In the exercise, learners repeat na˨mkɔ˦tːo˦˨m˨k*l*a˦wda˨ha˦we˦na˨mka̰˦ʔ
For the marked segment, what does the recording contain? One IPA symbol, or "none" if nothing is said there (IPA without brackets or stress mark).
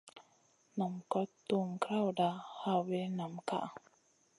ɾ